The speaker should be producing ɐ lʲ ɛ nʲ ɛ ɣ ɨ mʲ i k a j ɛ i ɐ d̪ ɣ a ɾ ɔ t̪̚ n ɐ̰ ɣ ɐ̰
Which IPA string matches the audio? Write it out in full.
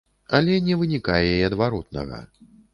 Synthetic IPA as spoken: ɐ lʲ ɛ nʲ ɛ v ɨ nʲ i k a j ɛ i ɐ d̪ v a ɾ ɔ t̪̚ n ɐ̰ ɣ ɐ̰